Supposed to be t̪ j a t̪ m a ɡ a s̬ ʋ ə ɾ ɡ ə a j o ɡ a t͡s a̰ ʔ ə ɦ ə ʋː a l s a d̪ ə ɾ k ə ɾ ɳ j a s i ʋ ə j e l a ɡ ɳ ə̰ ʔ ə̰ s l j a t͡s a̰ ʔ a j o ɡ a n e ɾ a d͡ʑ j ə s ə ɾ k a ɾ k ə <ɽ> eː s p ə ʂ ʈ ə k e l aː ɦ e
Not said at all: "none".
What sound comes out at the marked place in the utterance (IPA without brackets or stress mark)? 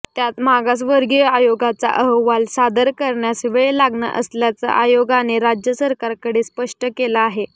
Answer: ɽ